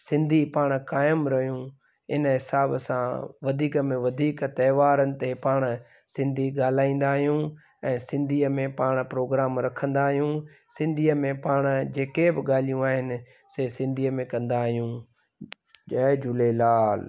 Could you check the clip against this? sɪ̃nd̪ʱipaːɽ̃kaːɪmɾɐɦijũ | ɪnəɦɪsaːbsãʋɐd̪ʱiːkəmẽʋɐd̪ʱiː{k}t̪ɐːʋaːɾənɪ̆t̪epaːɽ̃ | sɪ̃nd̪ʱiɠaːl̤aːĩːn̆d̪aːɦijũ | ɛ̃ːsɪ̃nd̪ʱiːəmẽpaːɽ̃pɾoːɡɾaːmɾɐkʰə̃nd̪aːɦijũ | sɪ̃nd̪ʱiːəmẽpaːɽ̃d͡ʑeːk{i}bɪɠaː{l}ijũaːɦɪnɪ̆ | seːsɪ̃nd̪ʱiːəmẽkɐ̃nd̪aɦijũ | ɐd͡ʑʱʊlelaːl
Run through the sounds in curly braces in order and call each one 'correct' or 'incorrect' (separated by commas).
correct, incorrect, correct